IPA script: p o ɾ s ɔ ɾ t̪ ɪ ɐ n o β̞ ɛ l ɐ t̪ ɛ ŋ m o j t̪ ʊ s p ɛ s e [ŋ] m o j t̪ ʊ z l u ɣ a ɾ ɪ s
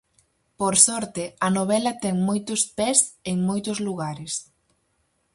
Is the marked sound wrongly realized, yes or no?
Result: no